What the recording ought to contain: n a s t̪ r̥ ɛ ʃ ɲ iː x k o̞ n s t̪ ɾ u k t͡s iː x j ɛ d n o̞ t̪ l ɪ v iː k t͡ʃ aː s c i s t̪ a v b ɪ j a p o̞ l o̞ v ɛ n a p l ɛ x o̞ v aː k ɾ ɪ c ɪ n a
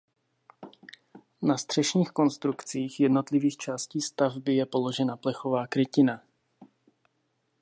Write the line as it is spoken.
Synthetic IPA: n a s t̪ r̥ ɛ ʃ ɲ iː x k o̞ n s t̪ ɾ u k t͡s iː x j ɛ d n o̞ t̪ l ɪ v iː x t͡ʃ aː s c iː s t̪ a v b ɪ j ɛ p o̞ l o̞ ʒ ɛ n a p l ɛ x o̞ v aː k ɾ ɪ c ɪ n a